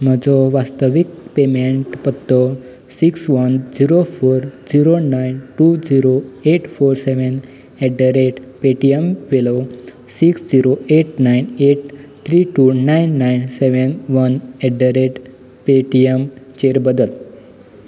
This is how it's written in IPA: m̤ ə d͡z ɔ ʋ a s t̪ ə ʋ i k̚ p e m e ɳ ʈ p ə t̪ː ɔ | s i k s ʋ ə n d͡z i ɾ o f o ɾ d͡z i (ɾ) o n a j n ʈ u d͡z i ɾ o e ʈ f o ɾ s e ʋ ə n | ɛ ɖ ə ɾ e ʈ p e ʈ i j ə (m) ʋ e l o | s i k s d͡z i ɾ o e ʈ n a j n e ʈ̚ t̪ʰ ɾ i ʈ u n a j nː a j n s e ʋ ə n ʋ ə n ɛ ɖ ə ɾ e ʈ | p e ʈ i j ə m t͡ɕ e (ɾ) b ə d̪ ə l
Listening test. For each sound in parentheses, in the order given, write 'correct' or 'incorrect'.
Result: correct, correct, correct

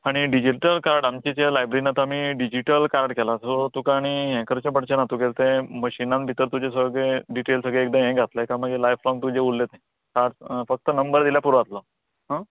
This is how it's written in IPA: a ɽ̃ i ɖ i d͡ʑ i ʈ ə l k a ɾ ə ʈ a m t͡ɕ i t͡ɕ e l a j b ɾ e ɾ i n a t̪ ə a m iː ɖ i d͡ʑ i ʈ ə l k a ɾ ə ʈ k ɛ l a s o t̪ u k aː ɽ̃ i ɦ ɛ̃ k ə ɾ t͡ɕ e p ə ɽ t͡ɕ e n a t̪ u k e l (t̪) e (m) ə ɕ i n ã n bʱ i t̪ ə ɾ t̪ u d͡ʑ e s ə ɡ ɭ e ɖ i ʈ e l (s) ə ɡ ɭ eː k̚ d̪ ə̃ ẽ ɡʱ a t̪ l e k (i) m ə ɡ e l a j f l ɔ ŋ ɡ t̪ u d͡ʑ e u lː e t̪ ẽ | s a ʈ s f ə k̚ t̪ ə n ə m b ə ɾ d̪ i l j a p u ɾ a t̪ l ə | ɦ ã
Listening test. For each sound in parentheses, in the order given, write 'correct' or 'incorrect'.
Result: correct, correct, correct, incorrect: a

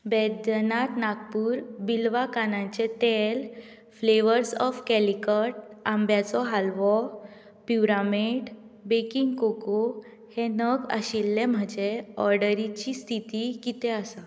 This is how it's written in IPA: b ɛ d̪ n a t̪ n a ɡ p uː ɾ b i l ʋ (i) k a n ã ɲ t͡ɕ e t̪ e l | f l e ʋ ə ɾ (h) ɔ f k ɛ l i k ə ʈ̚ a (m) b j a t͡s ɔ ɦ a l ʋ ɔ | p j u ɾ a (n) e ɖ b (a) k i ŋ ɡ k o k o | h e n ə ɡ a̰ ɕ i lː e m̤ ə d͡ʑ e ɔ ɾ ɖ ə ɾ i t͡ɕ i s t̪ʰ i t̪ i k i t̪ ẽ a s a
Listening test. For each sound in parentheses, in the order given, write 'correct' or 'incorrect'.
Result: incorrect: a, incorrect: s, correct, incorrect: m, incorrect: e

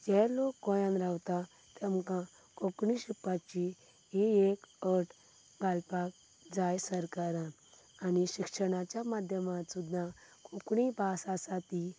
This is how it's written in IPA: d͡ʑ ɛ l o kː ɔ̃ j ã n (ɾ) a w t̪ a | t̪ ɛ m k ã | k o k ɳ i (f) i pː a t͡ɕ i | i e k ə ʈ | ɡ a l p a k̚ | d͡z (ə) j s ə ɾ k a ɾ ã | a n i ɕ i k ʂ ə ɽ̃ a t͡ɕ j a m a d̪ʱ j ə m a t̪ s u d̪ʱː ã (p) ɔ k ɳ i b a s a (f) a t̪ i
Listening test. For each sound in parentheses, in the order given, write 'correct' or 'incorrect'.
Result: correct, incorrect: ɕ, incorrect: a, incorrect: k, incorrect: s

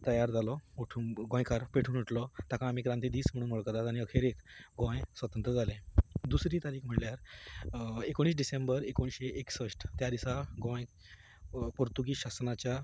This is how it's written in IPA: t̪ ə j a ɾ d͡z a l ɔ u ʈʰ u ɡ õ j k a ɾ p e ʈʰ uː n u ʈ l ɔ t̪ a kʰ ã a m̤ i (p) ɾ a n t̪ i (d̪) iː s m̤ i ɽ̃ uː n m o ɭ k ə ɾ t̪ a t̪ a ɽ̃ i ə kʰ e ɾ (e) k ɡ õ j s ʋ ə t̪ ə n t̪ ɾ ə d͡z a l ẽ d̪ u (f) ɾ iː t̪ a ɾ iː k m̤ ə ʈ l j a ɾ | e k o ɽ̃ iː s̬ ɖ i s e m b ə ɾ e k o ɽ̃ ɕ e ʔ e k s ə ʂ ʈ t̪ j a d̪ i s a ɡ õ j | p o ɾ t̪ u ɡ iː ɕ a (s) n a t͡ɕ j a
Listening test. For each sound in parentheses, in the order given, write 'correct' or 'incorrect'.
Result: incorrect: k, correct, correct, incorrect: s, correct

